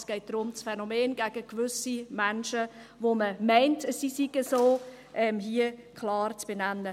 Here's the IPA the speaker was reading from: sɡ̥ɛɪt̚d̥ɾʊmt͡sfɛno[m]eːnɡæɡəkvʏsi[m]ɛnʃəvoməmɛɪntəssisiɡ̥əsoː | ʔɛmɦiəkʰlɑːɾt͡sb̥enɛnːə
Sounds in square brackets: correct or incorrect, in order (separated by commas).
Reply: correct, correct